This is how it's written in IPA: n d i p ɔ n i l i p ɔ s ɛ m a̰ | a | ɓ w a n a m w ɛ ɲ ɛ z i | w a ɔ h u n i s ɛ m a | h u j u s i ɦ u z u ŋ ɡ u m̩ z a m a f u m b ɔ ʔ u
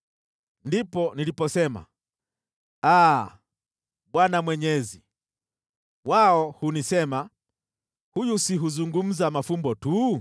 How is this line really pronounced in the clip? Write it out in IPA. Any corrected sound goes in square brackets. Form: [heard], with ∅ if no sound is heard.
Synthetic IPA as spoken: n d i p ɔ n i l i p ɔ s ɛ m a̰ | a | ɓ w a n a m w ɛ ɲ ɛ z i | w a ɔ h u n i s ɛ m a | h u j u s i ɦ u z u ŋ ɡ u m̩ z a m a f u m b ɔ [t] u